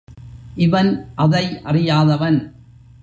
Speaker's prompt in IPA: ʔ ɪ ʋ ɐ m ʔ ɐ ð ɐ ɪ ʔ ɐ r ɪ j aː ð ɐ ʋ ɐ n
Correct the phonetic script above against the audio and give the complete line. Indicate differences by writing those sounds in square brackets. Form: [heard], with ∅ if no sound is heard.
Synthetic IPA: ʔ ɪ ʋ ɐ [n] ʔ ɐ ð ɐ ɪ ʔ ɐ r ɪ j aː ð ɐ ʋ ɐ n